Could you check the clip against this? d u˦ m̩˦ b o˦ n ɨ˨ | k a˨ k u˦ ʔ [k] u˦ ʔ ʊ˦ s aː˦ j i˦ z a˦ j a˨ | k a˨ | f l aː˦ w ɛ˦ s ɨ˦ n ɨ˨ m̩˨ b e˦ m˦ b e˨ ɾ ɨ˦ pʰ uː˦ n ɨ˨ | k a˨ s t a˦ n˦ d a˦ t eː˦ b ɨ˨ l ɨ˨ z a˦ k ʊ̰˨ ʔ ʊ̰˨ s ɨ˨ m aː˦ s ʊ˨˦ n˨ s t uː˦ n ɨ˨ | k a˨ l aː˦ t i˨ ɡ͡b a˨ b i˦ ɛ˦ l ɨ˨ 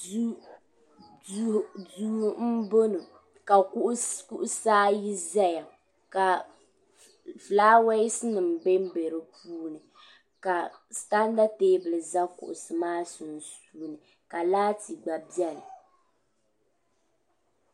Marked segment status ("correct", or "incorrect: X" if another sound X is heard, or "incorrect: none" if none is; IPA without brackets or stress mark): correct